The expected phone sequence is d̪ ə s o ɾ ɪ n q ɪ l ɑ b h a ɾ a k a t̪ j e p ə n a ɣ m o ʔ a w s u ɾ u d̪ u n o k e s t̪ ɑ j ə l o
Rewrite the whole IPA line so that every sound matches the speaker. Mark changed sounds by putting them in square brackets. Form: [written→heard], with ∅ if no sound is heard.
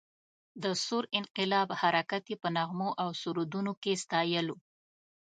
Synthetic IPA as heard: d̪ ə s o ɾ ɪ n q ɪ l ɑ b h a ɾ a k a t̪ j e p ə n a ɣ m o ʔ a w s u ɾ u d̪ u n o k e s t̪ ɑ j ə l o